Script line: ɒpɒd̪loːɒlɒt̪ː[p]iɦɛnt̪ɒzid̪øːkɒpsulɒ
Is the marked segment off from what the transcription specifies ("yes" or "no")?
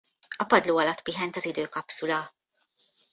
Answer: no